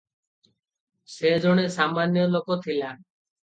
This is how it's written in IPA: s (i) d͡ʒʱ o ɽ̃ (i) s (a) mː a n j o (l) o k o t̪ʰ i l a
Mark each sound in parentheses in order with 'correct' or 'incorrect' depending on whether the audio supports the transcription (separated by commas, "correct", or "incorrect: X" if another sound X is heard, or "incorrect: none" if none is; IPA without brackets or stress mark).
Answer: incorrect: e, incorrect: e, correct, correct